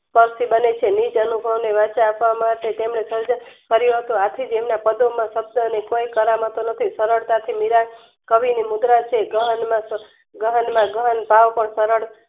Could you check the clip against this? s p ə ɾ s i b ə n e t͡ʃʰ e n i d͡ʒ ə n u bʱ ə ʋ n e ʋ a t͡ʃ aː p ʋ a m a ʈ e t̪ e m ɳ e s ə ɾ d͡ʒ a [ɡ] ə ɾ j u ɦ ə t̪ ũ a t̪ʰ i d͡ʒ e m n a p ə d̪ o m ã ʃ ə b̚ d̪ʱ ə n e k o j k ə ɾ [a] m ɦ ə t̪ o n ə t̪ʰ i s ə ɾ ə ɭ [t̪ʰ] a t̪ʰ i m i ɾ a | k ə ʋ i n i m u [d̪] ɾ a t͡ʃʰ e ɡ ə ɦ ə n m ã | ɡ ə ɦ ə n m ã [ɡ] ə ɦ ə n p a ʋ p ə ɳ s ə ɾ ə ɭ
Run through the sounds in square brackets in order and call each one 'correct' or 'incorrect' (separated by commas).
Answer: incorrect, correct, incorrect, correct, correct